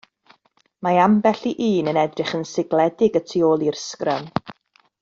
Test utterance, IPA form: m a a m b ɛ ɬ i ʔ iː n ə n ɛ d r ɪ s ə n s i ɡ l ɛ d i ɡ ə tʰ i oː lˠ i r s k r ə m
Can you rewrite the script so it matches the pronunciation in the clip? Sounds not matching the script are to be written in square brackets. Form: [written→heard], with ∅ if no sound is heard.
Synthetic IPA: m a a m b ɛ ɬ i ʔ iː n ə n ɛ d r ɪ [s→χ] ə n s [i→ɪ] ɡ l ɛ d [i→ɪ] ɡ ə tʰ i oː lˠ i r s k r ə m